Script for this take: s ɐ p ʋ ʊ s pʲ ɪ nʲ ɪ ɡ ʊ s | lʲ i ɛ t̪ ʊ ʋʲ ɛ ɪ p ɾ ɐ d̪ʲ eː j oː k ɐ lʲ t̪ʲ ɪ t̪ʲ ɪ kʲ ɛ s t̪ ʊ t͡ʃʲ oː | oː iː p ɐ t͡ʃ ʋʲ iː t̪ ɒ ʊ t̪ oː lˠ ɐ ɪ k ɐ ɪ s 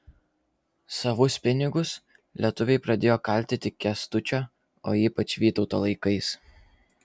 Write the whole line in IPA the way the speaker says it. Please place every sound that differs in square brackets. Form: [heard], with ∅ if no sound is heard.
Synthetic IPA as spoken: s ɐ [∅] ʋ ʊ s pʲ ɪ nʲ ɪ ɡ ʊ s | lʲ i ɛ t̪ ʊ ʋʲ ɛ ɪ p ɾ ɐ d̪ʲ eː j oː k ɐ lʲ t̪ʲ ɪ t̪ʲ ɪ kʲ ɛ s t̪ ʊ t͡ʃʲ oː | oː iː p ɐ t͡ʃ ʋʲ iː t̪ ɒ ʊ t̪ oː lˠ ɐ ɪ k ɐ ɪ s